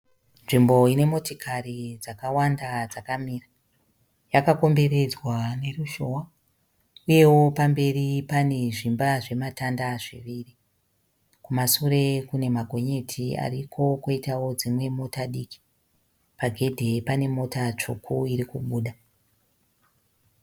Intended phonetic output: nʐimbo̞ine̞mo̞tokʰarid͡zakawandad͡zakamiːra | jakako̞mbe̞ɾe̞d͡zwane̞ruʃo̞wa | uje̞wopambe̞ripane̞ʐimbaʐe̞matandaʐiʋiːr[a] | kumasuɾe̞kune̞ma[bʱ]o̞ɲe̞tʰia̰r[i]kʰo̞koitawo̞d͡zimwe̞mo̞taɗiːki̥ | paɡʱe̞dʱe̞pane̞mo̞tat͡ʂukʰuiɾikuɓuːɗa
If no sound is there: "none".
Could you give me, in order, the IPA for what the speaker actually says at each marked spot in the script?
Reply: i, ɡʱ, i

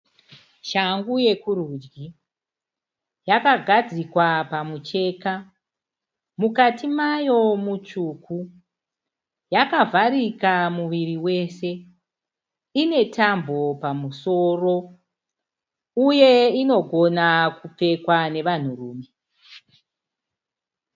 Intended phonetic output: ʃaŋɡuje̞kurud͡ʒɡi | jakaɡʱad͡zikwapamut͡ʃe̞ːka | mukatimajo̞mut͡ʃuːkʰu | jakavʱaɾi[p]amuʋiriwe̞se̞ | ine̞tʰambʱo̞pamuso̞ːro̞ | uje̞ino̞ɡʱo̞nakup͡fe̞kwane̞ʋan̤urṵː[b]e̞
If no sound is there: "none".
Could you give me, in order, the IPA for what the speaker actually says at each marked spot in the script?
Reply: k, m

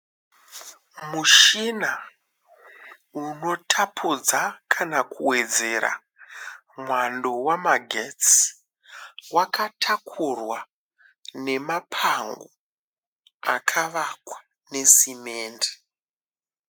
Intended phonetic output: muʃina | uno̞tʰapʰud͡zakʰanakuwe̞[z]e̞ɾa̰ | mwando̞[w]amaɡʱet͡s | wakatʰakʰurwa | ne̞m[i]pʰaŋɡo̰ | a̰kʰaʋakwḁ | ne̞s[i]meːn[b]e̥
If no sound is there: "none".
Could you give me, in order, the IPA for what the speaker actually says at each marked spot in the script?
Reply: d͡z, w, a, i, d

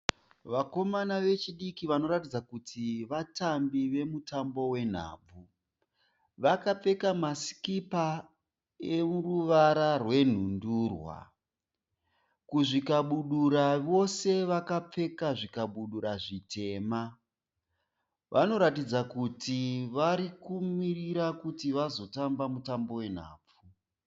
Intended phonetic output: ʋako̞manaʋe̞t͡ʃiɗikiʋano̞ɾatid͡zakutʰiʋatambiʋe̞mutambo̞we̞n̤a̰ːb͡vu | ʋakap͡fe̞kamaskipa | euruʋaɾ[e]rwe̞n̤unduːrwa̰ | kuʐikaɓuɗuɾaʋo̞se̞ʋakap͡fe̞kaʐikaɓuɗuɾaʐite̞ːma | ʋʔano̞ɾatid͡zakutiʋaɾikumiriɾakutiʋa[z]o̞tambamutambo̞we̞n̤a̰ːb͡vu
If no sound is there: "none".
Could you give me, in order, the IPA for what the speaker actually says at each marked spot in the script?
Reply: a, z

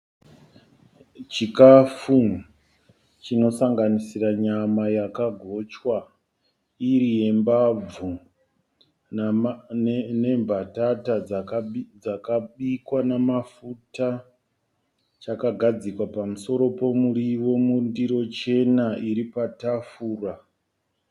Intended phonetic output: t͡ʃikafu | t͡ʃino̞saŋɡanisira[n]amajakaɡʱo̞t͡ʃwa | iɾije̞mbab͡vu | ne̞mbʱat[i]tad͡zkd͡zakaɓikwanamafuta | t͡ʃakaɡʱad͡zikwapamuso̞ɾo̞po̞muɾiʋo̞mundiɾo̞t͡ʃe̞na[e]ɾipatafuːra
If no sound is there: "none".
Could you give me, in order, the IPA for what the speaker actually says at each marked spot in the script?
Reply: ɲ, a, i

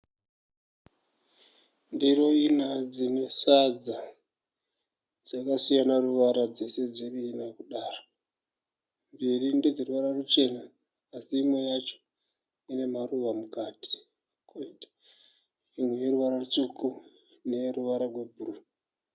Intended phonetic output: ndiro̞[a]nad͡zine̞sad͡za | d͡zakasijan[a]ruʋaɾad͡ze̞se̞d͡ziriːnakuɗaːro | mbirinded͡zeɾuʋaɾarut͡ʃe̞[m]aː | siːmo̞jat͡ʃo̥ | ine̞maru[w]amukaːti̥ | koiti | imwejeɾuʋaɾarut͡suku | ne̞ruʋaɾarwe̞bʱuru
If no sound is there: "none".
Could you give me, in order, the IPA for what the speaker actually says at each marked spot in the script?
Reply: i, a, n, ʋ

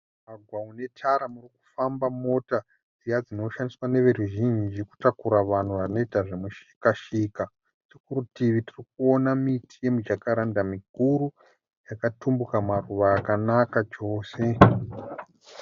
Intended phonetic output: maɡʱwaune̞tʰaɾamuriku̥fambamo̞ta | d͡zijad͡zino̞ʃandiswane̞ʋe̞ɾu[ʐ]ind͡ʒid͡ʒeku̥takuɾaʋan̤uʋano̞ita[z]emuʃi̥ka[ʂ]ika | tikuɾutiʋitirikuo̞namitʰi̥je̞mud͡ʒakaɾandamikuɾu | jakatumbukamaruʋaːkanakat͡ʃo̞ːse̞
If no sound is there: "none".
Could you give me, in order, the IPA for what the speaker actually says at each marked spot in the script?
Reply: ʒ, ʐ, ʃ

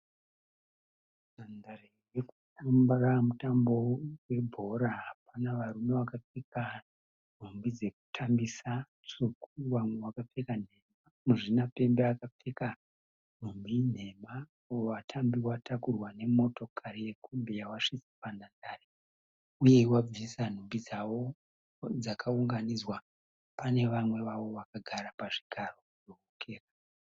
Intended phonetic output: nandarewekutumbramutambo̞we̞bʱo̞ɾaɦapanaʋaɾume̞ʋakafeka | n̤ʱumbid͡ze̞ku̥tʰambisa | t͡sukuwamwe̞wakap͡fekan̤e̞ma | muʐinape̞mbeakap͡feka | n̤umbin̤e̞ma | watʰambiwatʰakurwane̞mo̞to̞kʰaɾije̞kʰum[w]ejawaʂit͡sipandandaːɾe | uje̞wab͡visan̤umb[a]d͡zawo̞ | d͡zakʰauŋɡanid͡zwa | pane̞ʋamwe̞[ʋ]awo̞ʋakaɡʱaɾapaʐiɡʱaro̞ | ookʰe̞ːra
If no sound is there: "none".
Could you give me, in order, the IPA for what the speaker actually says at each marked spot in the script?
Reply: b, i, ʋ

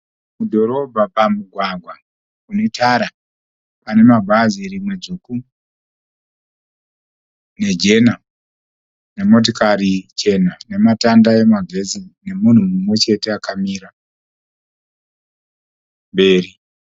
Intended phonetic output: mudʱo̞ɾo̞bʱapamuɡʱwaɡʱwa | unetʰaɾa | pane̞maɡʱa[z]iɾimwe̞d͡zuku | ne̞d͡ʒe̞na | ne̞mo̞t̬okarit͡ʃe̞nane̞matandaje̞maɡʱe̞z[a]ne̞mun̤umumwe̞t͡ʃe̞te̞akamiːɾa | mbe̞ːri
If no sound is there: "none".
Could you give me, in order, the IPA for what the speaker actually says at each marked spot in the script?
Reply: z, i

